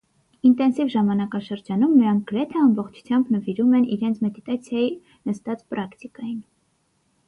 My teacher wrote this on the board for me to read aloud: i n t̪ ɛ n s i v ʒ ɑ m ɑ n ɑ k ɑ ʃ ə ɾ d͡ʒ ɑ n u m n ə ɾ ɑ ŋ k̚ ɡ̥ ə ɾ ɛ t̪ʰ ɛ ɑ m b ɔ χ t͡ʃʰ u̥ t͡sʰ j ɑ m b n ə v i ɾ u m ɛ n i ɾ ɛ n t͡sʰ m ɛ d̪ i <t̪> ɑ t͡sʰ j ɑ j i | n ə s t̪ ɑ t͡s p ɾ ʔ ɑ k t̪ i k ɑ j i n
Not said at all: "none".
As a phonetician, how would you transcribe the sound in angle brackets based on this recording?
t̪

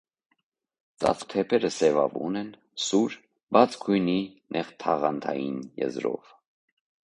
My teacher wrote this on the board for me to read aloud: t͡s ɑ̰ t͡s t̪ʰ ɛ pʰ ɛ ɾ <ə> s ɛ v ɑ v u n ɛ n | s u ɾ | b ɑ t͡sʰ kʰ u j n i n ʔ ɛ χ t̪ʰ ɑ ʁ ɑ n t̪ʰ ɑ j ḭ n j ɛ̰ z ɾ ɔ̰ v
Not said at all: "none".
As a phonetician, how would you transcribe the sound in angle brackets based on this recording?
ə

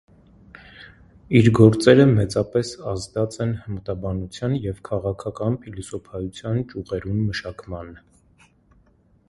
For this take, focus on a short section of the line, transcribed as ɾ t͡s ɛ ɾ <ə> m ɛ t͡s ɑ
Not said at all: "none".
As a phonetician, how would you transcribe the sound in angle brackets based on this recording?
ə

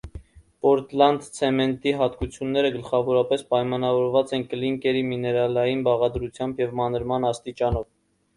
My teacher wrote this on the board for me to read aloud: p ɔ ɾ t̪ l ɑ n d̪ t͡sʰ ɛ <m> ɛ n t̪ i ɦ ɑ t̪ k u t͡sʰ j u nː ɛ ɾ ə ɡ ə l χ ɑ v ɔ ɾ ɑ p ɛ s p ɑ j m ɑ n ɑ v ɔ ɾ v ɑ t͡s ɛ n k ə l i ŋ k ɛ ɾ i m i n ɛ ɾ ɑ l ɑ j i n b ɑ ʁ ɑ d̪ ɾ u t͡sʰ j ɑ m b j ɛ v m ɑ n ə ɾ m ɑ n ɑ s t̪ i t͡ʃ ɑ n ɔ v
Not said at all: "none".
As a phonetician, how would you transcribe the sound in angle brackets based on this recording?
m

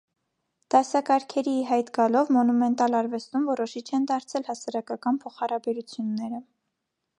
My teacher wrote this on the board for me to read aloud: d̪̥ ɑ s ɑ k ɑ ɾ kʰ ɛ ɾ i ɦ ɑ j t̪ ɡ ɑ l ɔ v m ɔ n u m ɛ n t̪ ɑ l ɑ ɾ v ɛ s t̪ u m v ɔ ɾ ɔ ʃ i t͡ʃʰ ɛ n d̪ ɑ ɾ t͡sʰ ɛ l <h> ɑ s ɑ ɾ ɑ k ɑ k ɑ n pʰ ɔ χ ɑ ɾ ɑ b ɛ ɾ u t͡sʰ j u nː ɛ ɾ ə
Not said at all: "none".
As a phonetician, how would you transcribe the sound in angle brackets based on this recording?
h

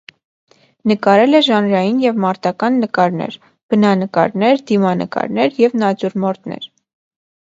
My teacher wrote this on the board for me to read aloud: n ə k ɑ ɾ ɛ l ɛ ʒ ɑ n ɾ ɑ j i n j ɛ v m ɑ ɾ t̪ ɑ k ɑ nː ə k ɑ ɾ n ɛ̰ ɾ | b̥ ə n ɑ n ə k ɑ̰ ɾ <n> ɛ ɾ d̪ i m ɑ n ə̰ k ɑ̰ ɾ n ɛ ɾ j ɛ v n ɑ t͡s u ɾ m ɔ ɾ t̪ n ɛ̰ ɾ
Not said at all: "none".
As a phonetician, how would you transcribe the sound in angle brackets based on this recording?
n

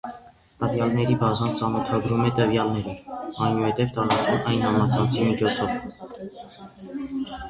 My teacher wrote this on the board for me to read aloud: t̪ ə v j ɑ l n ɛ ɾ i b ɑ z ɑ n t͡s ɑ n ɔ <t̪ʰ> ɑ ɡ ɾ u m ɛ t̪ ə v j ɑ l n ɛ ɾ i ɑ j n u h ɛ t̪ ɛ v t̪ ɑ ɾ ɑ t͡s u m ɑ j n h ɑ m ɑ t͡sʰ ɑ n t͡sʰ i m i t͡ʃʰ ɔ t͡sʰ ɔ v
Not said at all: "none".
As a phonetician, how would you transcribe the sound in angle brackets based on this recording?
t̪ʰ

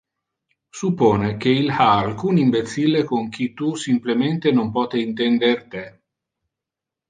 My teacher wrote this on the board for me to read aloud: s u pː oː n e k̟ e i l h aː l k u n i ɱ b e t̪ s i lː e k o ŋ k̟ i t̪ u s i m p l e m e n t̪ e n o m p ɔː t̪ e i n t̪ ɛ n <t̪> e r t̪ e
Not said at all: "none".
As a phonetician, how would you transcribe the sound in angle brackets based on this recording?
d̪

